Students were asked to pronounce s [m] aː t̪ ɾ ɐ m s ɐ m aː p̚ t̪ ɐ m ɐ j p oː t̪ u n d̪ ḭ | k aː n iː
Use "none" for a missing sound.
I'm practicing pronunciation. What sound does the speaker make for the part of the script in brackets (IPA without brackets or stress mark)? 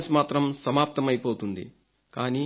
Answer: m